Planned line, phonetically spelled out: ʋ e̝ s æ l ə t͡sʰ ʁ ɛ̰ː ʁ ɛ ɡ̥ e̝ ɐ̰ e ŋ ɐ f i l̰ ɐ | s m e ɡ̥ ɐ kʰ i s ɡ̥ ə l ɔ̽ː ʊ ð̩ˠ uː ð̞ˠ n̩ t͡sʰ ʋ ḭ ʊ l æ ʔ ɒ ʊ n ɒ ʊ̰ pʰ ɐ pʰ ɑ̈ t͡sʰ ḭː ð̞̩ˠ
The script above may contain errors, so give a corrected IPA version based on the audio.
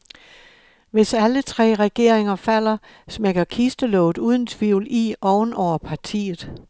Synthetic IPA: ʋ e̝ s æ l ə t͡sʰ ʁ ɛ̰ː ʁ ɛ ɡ̥ e̝ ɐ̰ e ŋ ɐ f æ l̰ ɐ | s m e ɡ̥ ɐ kʰ i s d̥ ə l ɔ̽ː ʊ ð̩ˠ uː ð̞ˠ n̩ t͡sʰ ʋ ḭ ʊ l i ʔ ɒ ʊ n ɒ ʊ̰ ɐ pʰ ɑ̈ t͡sʰ ḭː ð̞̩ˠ